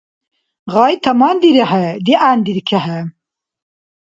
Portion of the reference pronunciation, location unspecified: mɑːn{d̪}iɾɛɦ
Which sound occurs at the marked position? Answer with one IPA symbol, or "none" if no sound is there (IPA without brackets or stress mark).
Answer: d̪